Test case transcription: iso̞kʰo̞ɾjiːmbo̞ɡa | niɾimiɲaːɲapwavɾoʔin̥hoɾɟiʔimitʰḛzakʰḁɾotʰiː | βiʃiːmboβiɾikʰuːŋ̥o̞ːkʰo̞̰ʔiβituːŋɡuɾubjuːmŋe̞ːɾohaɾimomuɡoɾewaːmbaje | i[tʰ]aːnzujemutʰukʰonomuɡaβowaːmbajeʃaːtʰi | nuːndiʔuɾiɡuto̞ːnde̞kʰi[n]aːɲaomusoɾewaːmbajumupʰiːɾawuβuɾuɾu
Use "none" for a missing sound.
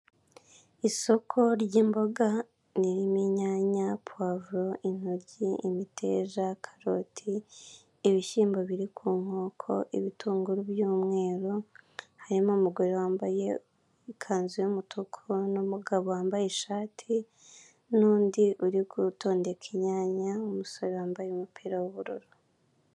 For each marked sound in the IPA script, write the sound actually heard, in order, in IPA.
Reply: kʰ, ɲ

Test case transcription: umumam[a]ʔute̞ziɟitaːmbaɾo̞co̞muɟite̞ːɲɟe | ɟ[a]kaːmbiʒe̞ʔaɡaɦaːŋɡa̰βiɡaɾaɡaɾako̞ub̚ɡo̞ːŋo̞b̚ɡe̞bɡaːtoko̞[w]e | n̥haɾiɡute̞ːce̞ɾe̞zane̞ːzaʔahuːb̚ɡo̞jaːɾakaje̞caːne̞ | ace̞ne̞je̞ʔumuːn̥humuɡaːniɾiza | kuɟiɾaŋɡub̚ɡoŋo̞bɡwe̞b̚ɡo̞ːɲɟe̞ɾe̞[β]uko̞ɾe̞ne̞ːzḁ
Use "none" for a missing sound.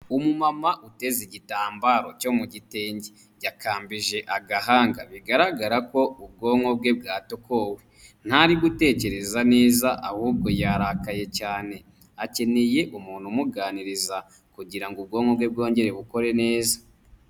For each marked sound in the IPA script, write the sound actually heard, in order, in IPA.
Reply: a, a, w, β

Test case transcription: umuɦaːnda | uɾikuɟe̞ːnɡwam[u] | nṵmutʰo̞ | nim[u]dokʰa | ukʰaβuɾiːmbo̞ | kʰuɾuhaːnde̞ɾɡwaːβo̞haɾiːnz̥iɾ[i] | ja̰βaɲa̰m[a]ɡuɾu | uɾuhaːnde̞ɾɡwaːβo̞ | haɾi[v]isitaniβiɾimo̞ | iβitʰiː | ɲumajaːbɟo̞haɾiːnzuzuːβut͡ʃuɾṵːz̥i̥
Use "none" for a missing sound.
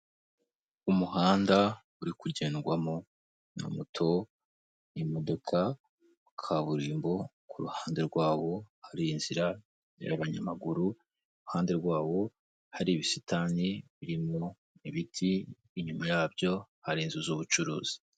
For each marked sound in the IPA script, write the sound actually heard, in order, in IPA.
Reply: o, o, a, a, β

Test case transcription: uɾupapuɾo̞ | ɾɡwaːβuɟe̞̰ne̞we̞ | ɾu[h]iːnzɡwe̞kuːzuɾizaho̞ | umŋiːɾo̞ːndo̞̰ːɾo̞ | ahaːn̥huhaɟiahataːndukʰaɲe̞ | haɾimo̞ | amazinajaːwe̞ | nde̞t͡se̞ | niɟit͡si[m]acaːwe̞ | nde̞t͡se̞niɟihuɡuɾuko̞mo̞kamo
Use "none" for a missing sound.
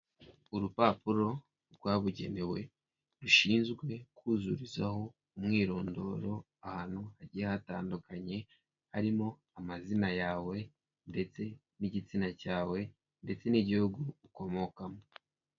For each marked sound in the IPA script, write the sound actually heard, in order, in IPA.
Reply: ʃ, n

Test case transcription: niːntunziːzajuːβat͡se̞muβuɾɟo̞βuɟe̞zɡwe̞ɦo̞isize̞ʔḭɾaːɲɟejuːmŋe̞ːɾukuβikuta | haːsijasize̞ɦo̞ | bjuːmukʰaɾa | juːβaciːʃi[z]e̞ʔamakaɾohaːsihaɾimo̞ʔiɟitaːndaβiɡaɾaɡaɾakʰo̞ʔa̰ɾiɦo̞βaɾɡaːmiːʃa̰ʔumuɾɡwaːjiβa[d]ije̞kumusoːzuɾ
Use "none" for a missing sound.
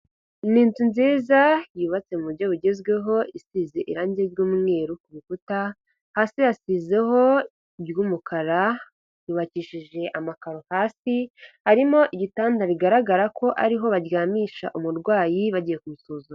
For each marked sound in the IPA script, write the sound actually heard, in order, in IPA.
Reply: ʒ, ɟ

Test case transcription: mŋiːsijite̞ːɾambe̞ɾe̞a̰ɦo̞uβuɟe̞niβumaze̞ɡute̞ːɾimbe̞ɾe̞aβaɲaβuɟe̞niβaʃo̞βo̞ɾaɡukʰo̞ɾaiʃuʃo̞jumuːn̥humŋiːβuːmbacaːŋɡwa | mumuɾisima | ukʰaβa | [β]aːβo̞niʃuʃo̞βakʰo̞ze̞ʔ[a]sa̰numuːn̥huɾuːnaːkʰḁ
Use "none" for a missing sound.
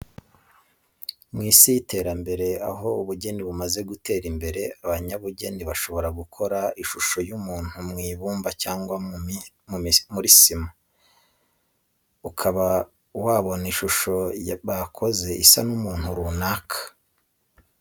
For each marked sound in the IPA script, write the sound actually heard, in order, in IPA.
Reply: w, i

